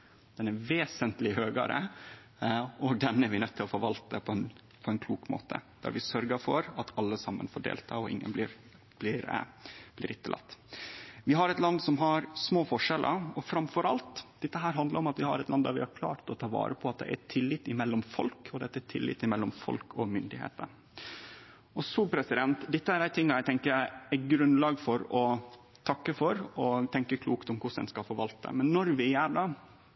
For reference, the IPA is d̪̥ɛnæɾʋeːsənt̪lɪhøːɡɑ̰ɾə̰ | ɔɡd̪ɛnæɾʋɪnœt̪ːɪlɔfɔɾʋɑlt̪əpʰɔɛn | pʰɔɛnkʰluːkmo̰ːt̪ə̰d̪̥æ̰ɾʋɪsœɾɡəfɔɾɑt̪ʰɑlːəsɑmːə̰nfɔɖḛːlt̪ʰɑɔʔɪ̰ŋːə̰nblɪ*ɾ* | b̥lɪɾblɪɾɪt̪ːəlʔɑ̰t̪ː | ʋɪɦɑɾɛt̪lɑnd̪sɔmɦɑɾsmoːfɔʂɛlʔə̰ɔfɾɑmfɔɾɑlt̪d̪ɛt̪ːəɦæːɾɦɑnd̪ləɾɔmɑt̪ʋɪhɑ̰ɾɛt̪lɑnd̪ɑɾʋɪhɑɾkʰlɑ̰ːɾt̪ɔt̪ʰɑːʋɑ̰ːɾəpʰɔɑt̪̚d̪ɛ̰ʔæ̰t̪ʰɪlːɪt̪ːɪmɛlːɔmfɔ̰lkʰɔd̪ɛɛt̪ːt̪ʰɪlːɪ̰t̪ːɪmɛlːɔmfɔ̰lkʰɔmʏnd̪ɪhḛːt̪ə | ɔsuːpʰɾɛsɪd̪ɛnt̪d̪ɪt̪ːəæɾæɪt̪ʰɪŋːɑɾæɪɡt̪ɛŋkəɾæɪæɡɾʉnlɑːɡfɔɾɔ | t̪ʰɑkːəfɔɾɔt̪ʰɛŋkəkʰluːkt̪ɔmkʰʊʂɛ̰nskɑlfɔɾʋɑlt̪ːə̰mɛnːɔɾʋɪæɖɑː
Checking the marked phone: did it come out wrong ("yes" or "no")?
no